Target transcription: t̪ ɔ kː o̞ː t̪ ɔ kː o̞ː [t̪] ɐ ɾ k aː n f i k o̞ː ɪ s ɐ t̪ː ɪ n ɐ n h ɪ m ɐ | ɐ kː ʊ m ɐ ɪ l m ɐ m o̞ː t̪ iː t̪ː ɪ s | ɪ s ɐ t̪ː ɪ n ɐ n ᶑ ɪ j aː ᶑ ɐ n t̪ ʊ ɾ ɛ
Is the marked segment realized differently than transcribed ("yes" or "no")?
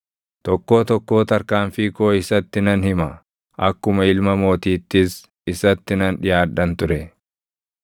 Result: no